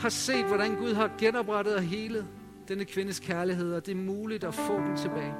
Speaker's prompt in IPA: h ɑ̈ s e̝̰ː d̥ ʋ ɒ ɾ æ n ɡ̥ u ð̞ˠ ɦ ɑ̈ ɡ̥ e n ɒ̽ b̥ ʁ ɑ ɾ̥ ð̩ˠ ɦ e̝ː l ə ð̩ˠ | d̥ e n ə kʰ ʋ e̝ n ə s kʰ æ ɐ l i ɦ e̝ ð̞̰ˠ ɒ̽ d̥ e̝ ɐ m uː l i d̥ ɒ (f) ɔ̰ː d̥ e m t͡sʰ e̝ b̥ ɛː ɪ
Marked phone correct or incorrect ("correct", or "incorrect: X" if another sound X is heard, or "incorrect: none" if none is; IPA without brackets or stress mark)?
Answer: correct